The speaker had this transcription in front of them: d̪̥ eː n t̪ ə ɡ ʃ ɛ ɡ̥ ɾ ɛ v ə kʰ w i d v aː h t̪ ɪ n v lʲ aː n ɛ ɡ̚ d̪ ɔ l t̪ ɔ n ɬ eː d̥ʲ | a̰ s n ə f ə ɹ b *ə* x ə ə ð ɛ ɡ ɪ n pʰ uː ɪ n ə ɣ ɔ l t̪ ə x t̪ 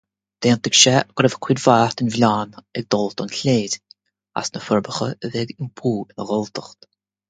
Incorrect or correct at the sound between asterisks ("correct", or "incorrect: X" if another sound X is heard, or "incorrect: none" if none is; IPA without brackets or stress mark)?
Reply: correct